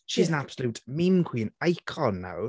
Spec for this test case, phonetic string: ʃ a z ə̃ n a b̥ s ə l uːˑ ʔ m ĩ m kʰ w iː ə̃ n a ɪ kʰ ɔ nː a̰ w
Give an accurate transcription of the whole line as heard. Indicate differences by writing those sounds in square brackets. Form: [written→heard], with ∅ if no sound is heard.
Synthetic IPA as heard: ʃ [a→i] z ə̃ n a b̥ s ə l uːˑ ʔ m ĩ m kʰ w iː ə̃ n a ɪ kʰ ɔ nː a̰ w